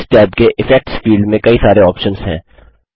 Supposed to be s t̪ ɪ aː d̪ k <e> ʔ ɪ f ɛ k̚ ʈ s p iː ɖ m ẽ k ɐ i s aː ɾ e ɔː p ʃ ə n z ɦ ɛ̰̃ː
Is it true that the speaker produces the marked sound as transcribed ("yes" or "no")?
yes